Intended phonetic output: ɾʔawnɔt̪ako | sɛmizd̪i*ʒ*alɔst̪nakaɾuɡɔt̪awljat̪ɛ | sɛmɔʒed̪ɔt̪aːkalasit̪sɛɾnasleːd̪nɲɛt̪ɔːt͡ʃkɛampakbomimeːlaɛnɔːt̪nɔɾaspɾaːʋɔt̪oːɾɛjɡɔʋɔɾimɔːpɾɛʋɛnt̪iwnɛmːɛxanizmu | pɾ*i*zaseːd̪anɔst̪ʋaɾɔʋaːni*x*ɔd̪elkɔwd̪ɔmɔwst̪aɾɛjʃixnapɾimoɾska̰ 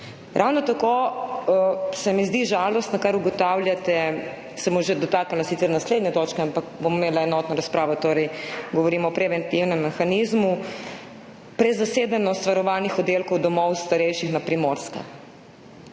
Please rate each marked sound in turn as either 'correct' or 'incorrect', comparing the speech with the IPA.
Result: correct, incorrect, correct

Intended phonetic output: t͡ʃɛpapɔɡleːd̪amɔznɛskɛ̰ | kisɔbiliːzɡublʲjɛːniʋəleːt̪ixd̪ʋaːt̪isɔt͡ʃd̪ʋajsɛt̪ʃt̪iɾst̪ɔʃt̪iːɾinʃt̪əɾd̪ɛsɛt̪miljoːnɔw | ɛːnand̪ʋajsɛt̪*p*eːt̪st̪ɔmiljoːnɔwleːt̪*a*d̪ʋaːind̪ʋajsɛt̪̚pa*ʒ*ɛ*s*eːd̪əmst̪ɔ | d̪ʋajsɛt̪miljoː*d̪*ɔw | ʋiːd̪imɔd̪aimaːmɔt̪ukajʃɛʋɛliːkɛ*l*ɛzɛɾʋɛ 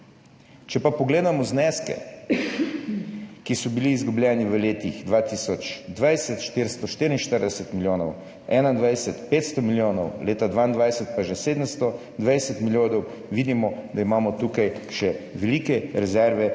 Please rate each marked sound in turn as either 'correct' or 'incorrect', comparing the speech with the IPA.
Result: correct, correct, correct, correct, correct, incorrect

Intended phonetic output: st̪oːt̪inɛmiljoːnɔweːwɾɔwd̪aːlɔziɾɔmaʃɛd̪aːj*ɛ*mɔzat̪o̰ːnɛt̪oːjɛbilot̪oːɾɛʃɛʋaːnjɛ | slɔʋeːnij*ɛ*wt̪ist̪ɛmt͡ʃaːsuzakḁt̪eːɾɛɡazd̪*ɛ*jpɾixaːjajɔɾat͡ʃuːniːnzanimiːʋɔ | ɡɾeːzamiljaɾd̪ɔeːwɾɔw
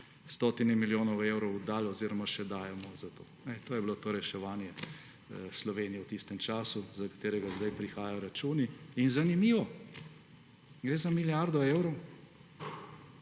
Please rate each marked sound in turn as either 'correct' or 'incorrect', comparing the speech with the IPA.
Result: correct, correct, incorrect

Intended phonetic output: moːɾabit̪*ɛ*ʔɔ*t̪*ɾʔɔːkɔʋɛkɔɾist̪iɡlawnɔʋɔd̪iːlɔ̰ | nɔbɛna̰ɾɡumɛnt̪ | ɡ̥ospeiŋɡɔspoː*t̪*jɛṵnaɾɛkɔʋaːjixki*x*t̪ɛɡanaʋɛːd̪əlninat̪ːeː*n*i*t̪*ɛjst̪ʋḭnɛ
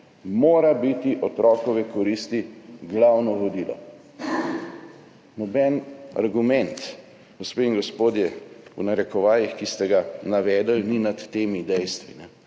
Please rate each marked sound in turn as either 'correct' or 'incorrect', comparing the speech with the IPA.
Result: incorrect, correct, incorrect, incorrect, incorrect, incorrect

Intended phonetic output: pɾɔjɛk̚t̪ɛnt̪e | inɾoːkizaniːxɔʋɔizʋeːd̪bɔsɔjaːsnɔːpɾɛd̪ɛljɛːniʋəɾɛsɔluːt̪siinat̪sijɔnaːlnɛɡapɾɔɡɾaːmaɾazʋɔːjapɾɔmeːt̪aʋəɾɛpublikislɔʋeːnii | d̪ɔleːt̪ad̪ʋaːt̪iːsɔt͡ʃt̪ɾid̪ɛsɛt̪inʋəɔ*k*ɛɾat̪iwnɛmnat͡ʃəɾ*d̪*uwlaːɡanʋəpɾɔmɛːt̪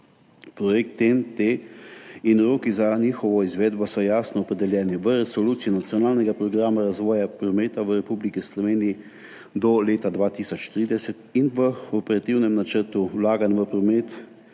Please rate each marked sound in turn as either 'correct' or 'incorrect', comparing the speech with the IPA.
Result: incorrect, incorrect

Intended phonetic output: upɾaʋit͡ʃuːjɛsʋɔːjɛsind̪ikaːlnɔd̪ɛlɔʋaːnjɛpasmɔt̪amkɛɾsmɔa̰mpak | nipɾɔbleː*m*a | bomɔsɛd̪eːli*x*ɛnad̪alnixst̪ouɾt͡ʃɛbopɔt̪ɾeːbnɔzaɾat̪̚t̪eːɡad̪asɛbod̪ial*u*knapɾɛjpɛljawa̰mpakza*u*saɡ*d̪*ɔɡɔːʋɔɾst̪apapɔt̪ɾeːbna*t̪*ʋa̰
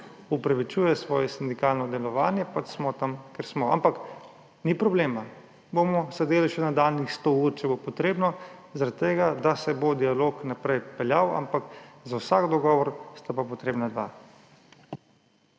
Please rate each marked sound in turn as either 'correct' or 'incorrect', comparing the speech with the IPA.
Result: correct, incorrect, incorrect, incorrect, correct, incorrect

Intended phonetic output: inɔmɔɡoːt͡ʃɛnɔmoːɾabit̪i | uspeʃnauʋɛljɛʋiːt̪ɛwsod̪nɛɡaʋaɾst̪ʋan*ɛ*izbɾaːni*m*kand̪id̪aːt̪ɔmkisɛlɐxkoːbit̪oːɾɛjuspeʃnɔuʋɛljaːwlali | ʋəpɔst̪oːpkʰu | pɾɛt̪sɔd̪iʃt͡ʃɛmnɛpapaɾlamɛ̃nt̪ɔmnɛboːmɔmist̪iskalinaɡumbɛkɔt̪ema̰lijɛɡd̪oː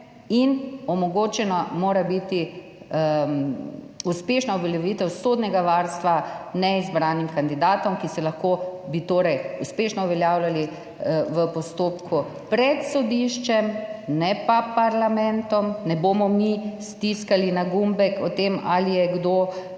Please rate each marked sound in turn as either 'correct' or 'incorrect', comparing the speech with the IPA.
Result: correct, correct

